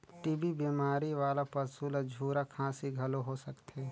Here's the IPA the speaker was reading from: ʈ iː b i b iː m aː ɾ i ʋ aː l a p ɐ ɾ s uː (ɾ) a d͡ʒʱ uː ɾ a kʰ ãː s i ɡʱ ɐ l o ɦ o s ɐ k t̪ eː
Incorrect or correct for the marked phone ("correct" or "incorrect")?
incorrect